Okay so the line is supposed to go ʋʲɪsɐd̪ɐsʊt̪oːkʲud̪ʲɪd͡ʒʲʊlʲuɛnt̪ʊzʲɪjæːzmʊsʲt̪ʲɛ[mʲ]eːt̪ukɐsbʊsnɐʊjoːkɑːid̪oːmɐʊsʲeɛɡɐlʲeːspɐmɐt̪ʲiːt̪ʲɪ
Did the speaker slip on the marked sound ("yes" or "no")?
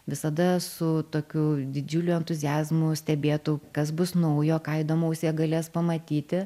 yes